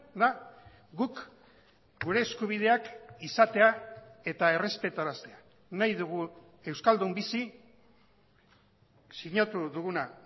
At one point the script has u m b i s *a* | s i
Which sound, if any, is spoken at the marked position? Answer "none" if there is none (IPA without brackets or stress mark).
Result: i